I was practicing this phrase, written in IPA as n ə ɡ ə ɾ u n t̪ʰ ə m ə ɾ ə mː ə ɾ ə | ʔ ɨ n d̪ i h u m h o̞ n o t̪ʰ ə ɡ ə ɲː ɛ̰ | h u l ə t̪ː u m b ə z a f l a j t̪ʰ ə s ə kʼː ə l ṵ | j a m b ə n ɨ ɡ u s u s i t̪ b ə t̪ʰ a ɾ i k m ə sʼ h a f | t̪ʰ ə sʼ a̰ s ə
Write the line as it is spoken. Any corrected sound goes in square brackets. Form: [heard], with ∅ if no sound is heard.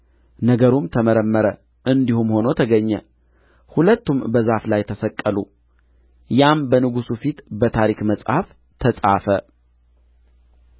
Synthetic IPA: n ə ɡ ə ɾ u [m] t̪ʰ ə m ə ɾ ə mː ə ɾ ə | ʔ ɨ n d̪ i h u m h o̞ n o t̪ʰ ə ɡ ə ɲː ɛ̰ | h u l ə t̪ː u m b ə z a f l a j t̪ʰ ə s ə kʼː ə l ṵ | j a m b ə n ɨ ɡ u s u [f] i t̪ b ə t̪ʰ a ɾ i k m ə sʼ h a f | t̪ʰ ə sʼ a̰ [f] ə